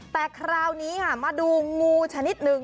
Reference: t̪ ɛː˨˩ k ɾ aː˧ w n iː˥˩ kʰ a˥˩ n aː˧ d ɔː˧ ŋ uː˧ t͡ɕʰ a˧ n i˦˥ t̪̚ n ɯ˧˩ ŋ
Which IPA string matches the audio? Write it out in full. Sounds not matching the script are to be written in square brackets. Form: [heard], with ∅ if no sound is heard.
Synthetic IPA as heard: t̪ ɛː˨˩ [kʰ] ɾ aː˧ w n [iː˦˥] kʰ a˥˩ [m] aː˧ d [uː˧] ŋ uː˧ t͡ɕʰ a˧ n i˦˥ t̪̚ n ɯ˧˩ ŋ